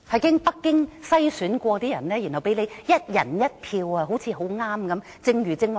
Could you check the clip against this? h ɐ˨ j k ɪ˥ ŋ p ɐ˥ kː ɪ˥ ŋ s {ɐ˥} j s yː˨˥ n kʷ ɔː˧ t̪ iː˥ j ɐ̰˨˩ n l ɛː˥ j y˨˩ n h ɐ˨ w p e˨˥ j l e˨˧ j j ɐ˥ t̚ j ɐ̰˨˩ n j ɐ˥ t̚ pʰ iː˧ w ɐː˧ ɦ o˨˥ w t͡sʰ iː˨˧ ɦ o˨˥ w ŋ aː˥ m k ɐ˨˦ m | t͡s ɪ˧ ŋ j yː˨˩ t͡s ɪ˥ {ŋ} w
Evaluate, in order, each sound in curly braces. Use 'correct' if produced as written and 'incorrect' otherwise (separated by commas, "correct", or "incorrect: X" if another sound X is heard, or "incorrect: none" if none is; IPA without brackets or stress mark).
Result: correct, correct